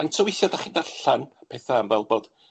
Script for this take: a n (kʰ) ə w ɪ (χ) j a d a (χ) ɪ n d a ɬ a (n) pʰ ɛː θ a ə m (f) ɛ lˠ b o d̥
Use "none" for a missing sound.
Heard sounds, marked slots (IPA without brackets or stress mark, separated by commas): tʰ, θ, χ, n, v